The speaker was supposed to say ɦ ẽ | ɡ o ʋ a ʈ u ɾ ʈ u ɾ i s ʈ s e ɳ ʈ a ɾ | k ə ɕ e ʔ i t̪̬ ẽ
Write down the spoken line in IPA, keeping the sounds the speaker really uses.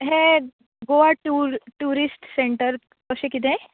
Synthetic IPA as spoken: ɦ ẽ | ɡ o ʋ a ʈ u ɾ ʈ u ɾ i s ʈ s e ɳ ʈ ə ɾ | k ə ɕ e k i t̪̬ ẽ